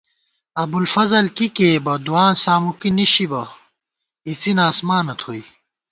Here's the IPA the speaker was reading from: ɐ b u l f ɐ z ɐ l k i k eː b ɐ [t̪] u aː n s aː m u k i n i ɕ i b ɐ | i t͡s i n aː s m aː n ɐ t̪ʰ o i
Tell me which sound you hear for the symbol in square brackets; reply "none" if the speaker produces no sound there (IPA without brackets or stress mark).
d̪